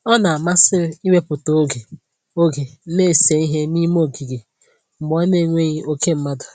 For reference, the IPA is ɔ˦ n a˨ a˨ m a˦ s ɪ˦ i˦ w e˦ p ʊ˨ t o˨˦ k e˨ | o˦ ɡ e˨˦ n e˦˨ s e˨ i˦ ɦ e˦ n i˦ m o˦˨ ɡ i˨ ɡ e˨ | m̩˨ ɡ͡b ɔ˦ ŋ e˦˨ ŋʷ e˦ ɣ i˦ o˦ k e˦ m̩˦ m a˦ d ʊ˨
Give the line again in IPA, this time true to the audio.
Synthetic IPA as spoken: ɔ˦ n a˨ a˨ m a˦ s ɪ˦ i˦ w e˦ p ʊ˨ t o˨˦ ɡ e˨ | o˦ ɡ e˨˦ n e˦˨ s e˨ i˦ ɦ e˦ n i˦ m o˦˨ ɡ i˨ ɡ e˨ | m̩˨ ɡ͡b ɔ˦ n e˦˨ ŋʷ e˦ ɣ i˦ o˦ k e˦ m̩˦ m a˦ d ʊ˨